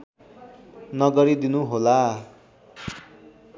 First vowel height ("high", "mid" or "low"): mid